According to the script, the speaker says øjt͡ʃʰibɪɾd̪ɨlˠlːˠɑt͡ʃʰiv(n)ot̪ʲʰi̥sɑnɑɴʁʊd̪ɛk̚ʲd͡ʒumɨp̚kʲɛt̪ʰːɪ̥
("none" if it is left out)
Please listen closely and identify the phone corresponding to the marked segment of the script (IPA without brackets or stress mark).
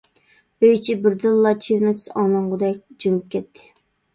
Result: n